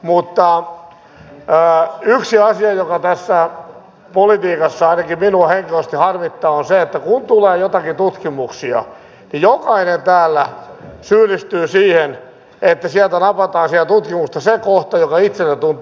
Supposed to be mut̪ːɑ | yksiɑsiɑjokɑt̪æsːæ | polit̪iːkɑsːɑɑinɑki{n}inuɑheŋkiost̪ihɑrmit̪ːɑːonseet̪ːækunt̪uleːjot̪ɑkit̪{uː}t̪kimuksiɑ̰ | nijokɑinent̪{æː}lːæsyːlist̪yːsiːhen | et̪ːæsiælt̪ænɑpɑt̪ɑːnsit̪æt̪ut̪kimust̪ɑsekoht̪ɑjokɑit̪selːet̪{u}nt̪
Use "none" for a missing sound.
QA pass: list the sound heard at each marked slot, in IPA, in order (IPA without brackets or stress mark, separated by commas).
m, u, æː, u